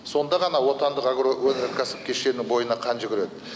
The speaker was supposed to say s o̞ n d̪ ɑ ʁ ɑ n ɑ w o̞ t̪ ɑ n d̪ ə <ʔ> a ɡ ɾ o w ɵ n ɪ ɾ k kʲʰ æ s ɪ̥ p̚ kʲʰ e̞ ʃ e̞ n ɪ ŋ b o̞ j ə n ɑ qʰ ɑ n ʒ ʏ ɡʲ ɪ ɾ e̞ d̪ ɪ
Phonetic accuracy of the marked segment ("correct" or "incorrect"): incorrect